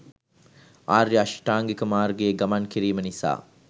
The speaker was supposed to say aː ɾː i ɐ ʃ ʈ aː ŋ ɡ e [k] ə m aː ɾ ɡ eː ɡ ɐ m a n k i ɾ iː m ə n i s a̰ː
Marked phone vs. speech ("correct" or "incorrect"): correct